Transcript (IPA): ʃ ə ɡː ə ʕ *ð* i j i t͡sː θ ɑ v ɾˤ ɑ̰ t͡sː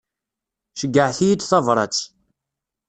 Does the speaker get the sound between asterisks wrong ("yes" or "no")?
yes